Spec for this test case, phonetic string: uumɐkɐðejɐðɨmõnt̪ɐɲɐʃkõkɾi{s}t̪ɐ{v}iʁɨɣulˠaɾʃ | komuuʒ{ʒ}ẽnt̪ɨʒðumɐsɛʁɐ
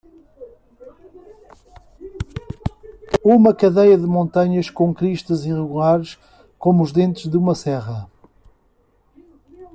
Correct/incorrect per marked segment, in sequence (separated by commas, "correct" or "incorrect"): incorrect, incorrect, incorrect